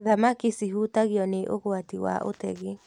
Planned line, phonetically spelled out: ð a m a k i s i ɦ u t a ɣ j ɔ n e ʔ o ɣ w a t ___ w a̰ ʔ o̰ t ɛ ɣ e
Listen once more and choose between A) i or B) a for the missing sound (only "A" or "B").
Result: A